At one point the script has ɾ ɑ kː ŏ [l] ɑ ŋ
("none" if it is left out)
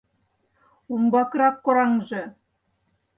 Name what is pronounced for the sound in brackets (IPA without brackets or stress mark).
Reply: ɾ